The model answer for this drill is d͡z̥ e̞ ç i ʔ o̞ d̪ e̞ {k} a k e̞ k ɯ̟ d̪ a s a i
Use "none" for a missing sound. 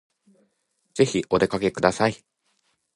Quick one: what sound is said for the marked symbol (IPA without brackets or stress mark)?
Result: k